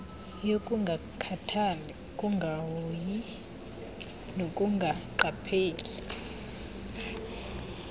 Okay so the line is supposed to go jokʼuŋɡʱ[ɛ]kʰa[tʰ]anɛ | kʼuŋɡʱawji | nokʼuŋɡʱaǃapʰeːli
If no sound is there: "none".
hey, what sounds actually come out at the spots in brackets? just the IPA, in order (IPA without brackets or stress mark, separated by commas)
a, tʰ